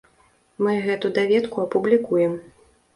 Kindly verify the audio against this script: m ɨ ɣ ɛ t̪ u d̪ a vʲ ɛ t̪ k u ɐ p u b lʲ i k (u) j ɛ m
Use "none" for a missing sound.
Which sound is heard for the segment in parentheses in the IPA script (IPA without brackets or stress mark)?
u